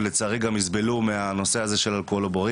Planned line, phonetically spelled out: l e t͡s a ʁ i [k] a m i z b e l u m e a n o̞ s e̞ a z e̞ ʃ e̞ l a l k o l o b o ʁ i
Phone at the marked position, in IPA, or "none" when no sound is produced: ɡ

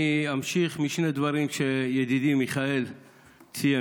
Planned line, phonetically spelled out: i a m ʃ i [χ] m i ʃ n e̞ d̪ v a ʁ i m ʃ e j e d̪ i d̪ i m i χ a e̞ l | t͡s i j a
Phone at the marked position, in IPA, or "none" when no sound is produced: χ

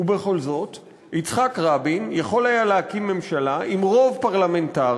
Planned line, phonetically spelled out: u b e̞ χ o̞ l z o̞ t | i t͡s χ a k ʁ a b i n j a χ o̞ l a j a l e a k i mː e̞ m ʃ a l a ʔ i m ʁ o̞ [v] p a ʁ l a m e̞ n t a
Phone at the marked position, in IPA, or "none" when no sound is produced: v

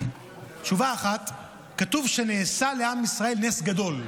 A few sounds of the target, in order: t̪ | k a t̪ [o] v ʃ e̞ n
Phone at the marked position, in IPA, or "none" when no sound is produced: u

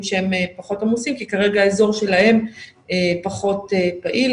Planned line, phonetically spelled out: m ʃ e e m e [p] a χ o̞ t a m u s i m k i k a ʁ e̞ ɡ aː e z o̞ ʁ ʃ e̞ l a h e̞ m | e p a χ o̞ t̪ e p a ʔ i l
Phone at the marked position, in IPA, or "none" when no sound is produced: p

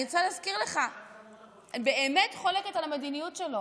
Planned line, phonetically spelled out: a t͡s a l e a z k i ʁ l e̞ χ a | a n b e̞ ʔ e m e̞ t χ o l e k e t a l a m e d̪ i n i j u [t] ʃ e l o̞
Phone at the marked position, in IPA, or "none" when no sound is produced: t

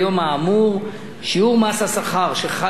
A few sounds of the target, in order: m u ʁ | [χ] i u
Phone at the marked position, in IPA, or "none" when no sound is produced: ʃ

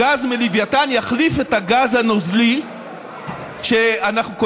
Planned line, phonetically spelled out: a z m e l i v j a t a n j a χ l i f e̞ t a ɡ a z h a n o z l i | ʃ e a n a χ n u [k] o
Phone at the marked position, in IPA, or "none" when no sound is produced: k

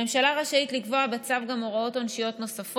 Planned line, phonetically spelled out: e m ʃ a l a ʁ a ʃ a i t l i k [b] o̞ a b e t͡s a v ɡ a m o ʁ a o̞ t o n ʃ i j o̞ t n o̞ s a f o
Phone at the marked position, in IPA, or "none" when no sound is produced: v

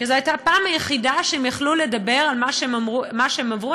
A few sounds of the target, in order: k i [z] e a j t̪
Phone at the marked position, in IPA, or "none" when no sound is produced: z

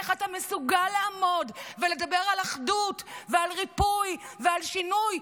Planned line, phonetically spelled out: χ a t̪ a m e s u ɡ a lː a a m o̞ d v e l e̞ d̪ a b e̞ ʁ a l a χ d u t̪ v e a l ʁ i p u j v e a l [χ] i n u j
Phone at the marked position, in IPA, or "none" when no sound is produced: ʃ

